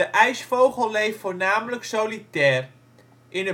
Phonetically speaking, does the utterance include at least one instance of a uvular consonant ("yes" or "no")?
yes